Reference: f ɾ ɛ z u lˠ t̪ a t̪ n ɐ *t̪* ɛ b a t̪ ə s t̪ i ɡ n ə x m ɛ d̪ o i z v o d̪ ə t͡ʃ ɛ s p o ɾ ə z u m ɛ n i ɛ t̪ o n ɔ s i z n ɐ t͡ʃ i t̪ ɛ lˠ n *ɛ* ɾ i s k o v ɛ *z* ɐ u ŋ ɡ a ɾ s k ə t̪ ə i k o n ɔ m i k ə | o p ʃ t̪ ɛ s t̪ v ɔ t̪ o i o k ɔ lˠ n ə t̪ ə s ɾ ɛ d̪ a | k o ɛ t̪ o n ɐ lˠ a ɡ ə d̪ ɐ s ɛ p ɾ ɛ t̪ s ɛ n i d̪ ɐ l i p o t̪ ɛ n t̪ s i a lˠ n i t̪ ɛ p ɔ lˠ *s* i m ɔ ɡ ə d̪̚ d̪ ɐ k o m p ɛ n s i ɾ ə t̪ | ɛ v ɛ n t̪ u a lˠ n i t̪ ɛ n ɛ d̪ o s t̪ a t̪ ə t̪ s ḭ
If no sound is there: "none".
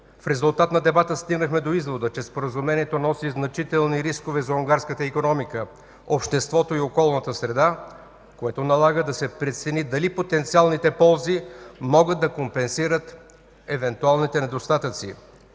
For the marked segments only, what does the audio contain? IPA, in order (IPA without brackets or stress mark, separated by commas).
d̪, i, z, z